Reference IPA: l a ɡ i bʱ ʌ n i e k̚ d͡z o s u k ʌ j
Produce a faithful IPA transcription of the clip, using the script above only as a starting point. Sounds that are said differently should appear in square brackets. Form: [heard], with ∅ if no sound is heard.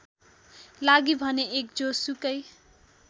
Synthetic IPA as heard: l a ɡ i bʱ ʌ n [e] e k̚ d͡z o s u k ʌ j

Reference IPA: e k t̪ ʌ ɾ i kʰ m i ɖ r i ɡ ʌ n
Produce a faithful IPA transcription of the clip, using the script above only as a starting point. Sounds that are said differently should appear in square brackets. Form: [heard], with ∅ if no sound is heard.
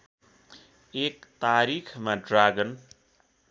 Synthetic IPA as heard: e k t̪ [a] ɾ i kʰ m [a] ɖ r [a] ɡ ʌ n

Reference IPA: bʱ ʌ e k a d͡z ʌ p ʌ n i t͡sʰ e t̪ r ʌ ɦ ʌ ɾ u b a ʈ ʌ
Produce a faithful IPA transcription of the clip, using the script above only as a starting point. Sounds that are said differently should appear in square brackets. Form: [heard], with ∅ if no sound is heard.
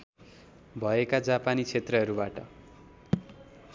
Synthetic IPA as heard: bʱ ʌ e k a d͡z [a] p [a] n i t͡sʰ e t̪ r ʌ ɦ ʌ ɾ u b a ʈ ʌ

